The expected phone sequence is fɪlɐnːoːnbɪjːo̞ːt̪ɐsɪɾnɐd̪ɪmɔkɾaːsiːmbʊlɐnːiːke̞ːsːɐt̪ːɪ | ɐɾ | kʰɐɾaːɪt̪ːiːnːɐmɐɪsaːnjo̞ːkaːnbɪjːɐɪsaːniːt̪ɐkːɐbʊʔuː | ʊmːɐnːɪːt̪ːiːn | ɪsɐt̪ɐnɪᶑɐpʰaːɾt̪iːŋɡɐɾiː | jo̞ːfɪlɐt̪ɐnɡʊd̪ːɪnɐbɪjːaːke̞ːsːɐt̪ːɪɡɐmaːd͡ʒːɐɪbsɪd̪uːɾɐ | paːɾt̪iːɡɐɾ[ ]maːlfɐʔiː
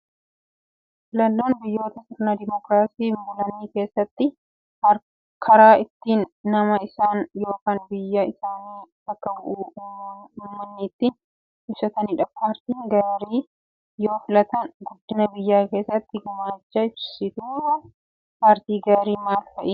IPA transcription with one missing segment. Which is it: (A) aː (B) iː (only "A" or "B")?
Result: B